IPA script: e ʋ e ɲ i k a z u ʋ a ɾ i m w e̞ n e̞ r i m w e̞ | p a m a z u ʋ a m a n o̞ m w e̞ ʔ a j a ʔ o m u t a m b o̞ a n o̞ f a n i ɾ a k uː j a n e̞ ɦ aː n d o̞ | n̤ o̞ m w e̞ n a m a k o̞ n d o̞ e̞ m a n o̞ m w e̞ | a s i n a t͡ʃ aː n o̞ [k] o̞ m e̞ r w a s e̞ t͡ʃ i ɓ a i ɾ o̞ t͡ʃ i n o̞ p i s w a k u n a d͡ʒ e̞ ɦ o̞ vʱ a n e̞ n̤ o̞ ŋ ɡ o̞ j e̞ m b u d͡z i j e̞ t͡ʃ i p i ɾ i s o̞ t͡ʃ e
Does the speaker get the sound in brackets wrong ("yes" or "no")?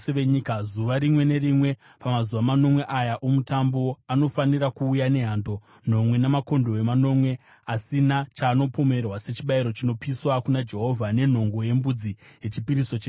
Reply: yes